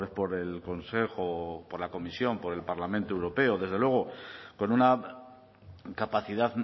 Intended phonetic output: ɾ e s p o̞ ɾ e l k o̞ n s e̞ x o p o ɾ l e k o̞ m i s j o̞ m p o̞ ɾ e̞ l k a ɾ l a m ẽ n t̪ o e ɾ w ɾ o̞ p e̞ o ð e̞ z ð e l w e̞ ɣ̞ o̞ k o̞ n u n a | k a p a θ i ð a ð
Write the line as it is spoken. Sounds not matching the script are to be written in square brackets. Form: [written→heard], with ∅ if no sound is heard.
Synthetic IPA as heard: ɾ e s p o̞ ɾ e l k o̞ n s e̞ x o p o ɾ l [e→a] k o̞ m i s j o̞ m p o̞ ɾ e̞ l [k→p] a ɾ l a m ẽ n t̪ o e [ɾ→∅] w ɾ o̞ p e̞ o ð e̞ z ð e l w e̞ ɣ̞ o̞ k o̞ n u n a | k a p a θ i ð a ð